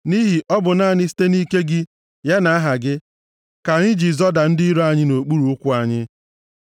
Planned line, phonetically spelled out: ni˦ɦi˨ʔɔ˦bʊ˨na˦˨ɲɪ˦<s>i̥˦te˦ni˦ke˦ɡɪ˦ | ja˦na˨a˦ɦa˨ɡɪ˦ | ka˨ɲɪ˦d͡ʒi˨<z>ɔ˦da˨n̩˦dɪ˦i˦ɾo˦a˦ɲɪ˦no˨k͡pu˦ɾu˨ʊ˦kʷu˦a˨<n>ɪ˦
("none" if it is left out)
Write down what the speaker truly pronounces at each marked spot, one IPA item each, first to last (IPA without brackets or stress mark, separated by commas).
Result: s, z, ɲ